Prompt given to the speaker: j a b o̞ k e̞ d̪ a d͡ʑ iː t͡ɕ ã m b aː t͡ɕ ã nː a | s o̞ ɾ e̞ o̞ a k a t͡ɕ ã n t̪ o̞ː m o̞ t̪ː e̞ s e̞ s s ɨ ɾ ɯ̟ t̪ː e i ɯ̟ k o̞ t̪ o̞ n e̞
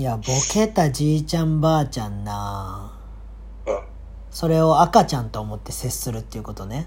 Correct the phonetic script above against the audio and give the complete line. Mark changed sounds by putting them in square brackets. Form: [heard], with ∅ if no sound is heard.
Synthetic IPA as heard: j a b o̞ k e̞ [t̪] a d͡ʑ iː t͡ɕ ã m b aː t͡ɕ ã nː a | s o̞ ɾ e̞ o̞ a k a t͡ɕ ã n t̪ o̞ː m o̞ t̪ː e̞ s e̞ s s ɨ ɾ ɯ̟ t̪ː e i ɯ̟ k o̞ t̪ o̞ n e̞